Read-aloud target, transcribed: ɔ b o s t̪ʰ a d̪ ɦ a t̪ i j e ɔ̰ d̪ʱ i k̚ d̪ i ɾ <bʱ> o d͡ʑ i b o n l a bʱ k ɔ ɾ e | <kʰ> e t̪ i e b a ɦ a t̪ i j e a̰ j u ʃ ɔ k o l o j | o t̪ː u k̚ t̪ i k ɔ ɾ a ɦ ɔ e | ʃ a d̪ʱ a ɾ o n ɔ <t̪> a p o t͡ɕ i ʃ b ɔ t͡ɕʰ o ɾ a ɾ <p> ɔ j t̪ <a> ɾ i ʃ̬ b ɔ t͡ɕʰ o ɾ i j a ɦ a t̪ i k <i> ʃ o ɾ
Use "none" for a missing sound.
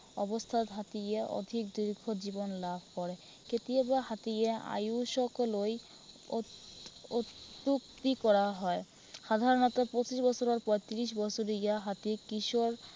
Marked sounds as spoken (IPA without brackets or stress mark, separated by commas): ɡʱ, k, t̪, p, i, i